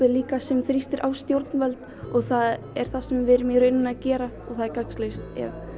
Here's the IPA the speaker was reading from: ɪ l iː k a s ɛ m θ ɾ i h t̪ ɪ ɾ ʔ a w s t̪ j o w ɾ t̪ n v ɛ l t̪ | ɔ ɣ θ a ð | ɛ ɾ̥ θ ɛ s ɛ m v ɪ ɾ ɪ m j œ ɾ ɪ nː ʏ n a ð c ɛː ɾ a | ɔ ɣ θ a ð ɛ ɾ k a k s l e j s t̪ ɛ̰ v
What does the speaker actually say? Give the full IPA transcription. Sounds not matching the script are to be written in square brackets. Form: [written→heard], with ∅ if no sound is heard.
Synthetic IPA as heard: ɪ l iː k a s ɛ m θ ɾ i [h→s] t̪ ɪ ɾ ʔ a w s t̪ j o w ɾ t̪ n v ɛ l t̪ | ɔ ɣ θ a ð | ɛ ɾ̥ θ [ɛ→a] s ɛ m v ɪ ɾ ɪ m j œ ɾ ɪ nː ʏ n a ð c ɛː ɾ a | ɔ ɣ θ a ð ɛ ɾ k a k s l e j s t̪ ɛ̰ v